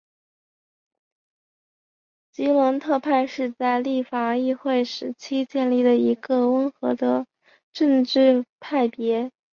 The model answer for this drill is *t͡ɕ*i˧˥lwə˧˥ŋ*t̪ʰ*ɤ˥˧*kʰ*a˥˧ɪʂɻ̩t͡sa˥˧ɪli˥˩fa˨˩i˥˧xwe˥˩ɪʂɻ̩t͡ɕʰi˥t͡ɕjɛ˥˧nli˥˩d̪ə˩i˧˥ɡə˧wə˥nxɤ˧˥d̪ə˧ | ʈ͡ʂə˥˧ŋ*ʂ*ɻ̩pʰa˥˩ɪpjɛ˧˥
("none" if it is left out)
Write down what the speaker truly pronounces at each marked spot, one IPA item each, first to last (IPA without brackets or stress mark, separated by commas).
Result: t͡ɕ, t̪ʰ, pʰ, ʈ͡ʂ